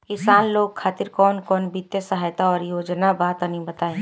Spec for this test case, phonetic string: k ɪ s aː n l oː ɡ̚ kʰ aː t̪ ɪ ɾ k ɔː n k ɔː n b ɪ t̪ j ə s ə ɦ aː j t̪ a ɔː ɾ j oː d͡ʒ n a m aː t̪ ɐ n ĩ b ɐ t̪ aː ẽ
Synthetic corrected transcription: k ɪ s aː n l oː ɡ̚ kʰ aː t̪ ɪ ɾ k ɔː n k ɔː n b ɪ t̪ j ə s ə ɦ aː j t̪ a ɔː ɾ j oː d͡ʒ n a b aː t̪ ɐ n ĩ b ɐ t̪ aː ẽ